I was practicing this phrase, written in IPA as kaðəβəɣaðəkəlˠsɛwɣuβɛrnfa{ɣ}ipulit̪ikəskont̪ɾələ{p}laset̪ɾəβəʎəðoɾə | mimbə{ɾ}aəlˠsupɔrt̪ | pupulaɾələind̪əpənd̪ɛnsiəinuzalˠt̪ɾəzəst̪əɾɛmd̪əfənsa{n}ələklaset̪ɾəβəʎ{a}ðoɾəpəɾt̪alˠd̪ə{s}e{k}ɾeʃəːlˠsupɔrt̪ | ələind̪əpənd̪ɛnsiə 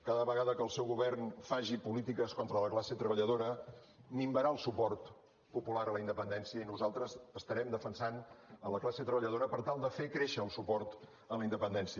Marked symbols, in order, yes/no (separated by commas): no, no, yes, yes, no, no, yes